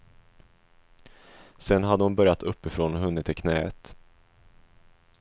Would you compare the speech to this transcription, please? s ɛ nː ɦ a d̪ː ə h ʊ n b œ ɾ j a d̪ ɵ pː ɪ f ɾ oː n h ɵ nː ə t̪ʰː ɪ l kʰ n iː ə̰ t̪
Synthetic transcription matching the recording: s ɛ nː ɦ a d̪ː ə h ʊ n b œ ɾ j a t̪ ɵ pː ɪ f ɾ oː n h ɵ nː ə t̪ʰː ɪ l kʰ n ɛː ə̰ t̪